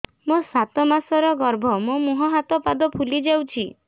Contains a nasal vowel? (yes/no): no